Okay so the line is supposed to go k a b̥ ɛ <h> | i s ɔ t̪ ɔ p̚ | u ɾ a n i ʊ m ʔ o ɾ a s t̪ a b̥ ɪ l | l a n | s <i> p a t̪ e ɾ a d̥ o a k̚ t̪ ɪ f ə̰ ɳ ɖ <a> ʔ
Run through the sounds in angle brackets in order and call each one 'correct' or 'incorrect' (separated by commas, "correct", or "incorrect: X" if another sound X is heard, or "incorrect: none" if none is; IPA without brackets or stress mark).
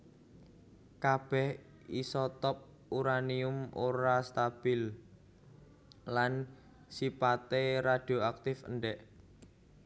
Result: correct, correct, incorrect: ɛ